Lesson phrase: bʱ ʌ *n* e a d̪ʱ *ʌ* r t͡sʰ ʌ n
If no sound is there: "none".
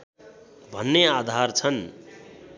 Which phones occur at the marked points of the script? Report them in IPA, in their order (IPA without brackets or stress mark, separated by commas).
nː, a